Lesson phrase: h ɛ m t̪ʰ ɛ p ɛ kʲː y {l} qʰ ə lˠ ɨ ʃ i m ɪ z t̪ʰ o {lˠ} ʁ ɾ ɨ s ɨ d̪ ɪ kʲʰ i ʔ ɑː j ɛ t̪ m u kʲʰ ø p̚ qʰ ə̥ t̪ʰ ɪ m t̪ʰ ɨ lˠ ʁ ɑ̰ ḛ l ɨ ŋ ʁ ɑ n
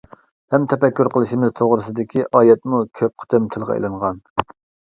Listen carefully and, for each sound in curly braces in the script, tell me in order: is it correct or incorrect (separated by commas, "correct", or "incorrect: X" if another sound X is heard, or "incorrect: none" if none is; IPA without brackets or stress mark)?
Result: incorrect: ɾ, incorrect: none